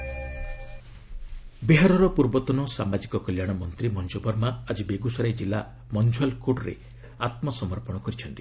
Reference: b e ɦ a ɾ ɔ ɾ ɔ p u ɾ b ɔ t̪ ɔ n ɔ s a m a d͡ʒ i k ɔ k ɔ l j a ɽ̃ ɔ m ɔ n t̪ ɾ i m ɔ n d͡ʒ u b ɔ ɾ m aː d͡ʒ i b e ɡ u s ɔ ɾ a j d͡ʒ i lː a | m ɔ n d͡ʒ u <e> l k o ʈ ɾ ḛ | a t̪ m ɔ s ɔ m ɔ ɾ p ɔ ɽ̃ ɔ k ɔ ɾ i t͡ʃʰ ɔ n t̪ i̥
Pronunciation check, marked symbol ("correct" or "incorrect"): incorrect